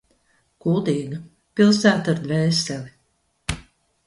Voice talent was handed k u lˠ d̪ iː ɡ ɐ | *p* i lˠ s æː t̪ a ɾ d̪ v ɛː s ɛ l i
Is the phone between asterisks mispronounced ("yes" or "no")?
no